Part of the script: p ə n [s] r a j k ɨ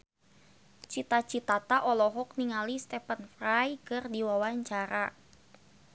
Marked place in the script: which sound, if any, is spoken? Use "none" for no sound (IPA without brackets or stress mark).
f